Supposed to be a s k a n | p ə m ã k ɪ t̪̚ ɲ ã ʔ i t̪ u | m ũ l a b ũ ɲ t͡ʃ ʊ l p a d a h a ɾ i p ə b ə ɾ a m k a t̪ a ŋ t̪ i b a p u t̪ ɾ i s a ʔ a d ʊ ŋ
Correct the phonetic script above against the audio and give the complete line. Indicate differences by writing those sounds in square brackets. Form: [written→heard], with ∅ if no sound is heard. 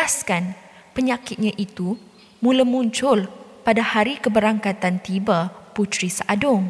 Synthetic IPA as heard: a s k a n | p ə [m→ɲ] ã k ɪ t̪̚ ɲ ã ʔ i t̪ u | m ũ l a [b→m] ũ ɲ t͡ʃ ʊ l p a d a h a ɾ i [p→k] ə b ə ɾ a [m→ŋ] k a t̪ a [ŋ→n] t̪ i b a p u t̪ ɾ i s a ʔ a d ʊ ŋ